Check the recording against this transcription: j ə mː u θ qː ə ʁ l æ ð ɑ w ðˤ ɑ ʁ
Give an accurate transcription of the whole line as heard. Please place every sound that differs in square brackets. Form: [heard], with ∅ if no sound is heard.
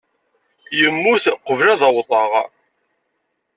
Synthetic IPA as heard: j ə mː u θ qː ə [v] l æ ð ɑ w ðˤ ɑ ʁ

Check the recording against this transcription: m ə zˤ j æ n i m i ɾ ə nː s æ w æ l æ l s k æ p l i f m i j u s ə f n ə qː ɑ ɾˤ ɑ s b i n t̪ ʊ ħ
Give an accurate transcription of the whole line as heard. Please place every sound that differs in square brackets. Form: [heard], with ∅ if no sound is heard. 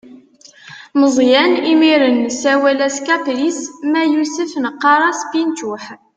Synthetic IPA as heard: m ə zˤ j æ n i m i ɾ ə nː s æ w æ l æ [∅] s k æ p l i [s] m [æ] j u s ə f n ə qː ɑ ɾˤ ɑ s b i n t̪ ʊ ħ

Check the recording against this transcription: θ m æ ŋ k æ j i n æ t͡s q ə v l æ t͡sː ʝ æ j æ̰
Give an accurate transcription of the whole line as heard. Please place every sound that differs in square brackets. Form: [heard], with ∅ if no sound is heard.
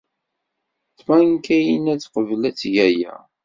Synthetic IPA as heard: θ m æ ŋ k æ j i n æ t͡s q ə v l æ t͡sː ʝ æ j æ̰

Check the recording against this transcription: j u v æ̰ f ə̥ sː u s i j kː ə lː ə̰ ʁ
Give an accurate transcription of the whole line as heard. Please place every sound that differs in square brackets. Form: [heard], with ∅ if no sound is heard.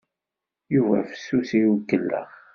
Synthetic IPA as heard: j u v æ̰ f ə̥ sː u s i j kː ə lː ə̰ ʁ

